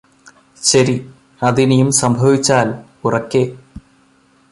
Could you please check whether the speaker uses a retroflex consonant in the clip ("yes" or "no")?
no